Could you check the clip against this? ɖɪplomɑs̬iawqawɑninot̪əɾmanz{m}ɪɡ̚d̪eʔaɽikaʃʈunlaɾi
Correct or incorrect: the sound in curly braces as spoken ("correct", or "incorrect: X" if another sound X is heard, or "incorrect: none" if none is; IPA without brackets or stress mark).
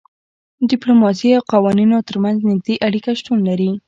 incorrect: n